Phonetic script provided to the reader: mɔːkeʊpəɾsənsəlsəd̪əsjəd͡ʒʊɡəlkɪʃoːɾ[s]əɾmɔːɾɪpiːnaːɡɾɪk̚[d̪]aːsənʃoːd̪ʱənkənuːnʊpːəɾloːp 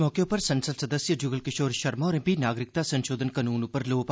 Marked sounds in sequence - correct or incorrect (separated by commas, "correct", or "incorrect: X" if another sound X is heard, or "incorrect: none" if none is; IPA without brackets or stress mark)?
incorrect: ʃ, incorrect: t̪